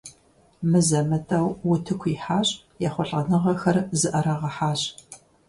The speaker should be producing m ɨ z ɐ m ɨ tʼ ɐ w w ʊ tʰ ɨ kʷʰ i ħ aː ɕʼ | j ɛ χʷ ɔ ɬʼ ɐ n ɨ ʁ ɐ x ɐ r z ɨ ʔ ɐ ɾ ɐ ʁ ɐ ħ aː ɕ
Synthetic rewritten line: m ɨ z ɐ m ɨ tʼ ɐ w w ʊ tʰ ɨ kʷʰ i ħ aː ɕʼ | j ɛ χʷ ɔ ɬʼ ɐ n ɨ ʁ ɐ x ɐ r z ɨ ʔ ɐ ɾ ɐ ʁ ɐ ħ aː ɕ